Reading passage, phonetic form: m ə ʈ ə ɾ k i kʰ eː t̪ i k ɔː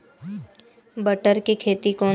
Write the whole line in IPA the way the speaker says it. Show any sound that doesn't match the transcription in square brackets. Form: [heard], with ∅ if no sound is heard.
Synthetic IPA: [b] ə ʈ ə ɾ k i kʰ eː t̪ i k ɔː